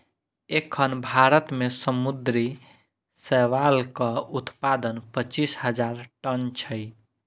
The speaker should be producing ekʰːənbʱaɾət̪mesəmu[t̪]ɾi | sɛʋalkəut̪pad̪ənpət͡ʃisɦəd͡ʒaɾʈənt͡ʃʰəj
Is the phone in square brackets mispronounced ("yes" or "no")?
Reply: yes